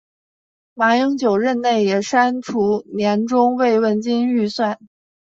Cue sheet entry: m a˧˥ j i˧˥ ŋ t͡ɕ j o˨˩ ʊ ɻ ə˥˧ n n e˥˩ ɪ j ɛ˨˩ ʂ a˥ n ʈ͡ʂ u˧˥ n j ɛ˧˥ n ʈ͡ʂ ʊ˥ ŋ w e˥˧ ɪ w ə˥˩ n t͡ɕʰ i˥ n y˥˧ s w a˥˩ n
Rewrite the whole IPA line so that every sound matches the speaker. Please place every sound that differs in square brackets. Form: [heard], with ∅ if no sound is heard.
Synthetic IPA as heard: m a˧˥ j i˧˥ ŋ t͡ɕ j o˨˩ ʊ ɻ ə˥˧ n n e˥˩ ɪ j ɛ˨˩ ʂ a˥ n [ʈ͡ʂʰ] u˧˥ n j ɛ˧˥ n ʈ͡ʂ ʊ˥ ŋ w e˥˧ ɪ w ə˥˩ n [t͡ɕ] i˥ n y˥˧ s w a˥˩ n